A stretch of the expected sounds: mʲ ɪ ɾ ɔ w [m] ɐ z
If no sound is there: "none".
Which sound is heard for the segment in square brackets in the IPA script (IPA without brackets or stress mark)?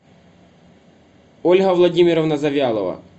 n